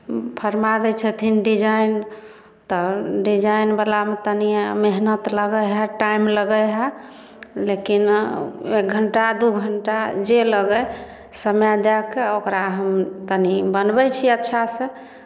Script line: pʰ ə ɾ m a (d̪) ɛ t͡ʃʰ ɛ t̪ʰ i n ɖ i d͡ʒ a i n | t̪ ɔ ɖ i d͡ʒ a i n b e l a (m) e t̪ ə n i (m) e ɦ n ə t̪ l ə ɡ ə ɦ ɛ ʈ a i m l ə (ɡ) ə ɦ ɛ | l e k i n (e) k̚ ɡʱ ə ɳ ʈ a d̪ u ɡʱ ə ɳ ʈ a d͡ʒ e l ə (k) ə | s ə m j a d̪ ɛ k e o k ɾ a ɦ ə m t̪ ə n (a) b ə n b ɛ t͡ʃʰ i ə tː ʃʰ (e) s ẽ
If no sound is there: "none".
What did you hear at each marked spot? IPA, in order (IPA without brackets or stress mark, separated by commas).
d̪, m, m, ɡ, e, ɡ, i, a